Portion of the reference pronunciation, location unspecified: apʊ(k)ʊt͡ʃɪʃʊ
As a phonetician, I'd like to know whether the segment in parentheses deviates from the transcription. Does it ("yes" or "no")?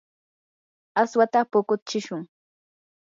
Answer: no